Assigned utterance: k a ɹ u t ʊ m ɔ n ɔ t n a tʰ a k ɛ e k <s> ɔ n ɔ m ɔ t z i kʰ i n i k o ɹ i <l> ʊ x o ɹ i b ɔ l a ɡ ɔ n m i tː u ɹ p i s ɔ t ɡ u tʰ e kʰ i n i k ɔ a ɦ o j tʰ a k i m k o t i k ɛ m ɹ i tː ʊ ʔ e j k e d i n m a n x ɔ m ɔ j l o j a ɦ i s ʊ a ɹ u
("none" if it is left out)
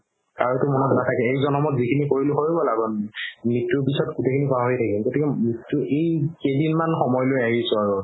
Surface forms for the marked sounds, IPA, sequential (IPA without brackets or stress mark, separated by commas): z, l